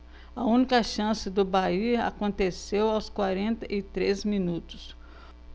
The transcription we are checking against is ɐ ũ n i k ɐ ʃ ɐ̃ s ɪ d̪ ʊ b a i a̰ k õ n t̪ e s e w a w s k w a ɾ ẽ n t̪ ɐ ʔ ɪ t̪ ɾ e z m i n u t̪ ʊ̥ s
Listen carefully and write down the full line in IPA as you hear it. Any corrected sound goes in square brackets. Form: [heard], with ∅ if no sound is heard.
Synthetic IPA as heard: ɐ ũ n i k ɐ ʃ ɐ̃ s ɪ d̪ ʊ b a i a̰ k õ n t̪ e s e w a w s k w a ɾ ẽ n t̪ ɐ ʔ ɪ t̪ ɾ e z m i n u t̪ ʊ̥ s